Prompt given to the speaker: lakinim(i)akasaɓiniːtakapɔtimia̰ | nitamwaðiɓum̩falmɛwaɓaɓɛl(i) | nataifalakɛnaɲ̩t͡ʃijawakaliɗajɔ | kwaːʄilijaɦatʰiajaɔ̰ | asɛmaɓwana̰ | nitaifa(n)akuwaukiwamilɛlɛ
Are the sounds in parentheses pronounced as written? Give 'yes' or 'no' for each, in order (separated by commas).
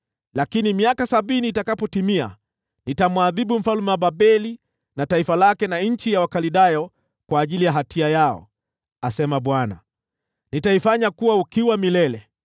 yes, yes, no